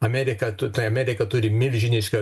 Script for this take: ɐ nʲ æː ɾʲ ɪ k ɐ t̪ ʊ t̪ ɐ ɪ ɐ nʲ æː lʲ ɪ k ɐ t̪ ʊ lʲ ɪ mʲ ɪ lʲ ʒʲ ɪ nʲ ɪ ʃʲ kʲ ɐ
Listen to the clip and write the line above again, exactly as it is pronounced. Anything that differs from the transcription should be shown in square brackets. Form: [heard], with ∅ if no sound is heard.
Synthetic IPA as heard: ɐ [mʲ] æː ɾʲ ɪ k ɐ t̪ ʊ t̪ ɐ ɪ ɐ [mʲ] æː [ɾʲ] ɪ k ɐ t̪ ʊ [ɾʲ] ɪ mʲ ɪ lʲ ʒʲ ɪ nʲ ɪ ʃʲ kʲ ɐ